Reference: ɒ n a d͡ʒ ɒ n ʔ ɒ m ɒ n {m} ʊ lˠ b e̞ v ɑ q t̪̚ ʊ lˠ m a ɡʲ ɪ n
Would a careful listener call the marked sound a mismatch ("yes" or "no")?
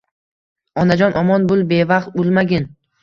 yes